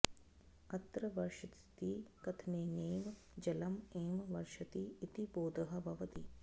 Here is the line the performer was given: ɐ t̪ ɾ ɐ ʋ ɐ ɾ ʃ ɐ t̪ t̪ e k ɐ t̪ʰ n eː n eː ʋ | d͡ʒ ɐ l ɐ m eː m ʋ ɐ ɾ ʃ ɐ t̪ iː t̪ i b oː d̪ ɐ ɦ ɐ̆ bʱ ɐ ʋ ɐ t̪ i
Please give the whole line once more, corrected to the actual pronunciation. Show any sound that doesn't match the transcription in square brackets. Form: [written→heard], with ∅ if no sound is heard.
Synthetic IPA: ɐ t̪ ɾ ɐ ʋ ɐ ɾ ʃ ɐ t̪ t̪ [e→i] k ɐ t̪ʰ n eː n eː ʋ | d͡ʒ ɐ l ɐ m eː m ʋ ɐ ɾ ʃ ɐ t̪ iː t̪ i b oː d̪ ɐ ɦ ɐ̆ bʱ ɐ ʋ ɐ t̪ i